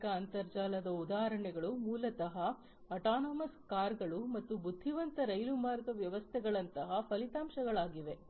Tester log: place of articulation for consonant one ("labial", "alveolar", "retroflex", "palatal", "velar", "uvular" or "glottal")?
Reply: velar